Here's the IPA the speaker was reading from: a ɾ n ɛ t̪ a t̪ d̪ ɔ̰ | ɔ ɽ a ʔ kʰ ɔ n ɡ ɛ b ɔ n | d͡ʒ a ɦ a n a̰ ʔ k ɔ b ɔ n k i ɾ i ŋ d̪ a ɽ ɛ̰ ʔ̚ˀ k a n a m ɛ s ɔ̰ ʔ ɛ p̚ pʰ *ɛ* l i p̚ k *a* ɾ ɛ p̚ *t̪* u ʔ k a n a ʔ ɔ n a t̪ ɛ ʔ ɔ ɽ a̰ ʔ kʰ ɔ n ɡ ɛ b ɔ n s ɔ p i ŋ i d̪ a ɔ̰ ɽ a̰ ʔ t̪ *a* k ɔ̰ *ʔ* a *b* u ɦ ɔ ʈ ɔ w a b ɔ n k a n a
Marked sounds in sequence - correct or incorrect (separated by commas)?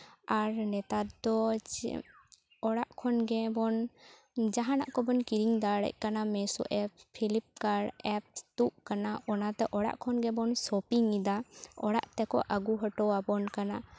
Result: incorrect, correct, correct, incorrect, correct, incorrect